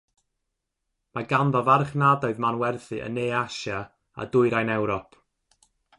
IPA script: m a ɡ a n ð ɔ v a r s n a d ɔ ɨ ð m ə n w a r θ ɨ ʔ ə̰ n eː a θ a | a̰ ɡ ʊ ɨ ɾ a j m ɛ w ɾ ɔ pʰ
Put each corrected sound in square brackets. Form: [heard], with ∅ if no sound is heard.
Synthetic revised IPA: m a ɡ a n ð ɔ v a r [χ] n a d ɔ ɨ ð m [a] n w [ɛ] r θ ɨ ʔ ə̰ n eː a [ʃ] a | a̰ [d] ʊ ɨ ɾ a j [n] ɛ w ɾ ɔ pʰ